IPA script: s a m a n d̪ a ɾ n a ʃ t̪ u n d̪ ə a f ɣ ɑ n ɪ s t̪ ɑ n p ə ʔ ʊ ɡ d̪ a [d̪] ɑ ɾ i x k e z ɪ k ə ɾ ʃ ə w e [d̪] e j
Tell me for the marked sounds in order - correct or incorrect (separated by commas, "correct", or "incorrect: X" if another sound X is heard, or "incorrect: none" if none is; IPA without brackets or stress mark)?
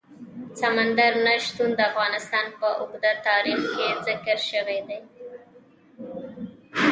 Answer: incorrect: t̪, correct